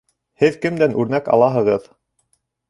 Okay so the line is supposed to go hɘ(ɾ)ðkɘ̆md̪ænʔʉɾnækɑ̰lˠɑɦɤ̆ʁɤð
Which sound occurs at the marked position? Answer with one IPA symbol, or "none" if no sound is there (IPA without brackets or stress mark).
none